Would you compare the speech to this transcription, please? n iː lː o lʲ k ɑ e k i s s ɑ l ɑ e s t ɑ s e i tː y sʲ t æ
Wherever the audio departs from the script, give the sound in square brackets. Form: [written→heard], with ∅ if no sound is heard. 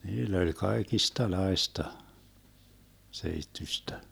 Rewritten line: n iː lː o lʲ k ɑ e k i s [s→t] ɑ l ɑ e s t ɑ s e i tː y sʲ t æ